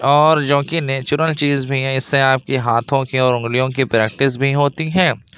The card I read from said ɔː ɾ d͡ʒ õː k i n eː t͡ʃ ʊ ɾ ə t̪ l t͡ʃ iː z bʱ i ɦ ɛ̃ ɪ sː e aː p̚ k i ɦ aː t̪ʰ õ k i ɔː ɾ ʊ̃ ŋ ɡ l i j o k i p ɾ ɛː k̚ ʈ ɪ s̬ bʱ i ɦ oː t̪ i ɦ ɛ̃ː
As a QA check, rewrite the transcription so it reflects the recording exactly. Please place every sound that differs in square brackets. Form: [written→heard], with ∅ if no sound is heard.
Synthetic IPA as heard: ɔː ɾ d͡ʒ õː k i n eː t͡ʃ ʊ ɾ ə [t̪→∅] l t͡ʃ iː z bʱ i ɦ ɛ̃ ɪ sː e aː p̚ k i ɦ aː t̪ʰ õ k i ɔː ɾ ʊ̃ ŋ ɡ l i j [o→õ] k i p ɾ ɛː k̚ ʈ ɪ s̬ bʱ i ɦ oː t̪ i ɦ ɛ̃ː